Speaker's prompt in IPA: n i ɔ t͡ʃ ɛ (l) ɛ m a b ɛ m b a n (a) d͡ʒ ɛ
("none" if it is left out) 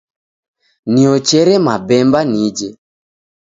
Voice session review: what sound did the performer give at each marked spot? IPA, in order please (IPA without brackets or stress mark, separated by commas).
ɾ, i